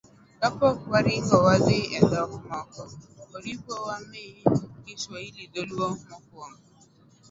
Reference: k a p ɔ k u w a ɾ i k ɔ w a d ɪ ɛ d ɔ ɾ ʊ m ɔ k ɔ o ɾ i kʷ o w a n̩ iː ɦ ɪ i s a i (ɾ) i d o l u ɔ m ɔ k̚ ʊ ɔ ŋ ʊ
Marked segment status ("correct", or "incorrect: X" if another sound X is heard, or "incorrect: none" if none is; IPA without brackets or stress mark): incorrect: l